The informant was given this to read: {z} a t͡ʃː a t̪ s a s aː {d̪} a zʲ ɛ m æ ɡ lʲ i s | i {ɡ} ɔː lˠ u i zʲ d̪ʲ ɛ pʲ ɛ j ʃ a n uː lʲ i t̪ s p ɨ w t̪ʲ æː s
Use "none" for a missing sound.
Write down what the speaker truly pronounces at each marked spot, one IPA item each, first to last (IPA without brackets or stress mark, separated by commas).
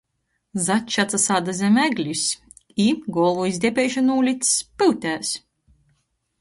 z, d̪, ɡ